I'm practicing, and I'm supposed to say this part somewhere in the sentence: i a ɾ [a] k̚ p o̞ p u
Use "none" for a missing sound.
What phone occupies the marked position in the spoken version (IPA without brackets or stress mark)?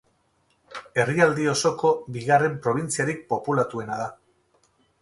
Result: i